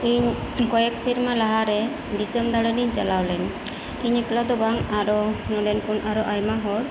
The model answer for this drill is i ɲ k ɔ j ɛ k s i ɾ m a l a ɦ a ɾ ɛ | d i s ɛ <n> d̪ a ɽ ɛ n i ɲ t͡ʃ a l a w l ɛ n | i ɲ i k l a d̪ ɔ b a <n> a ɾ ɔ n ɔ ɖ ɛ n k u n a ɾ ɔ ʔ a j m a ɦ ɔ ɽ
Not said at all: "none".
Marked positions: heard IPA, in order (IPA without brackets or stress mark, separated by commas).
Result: m, ŋ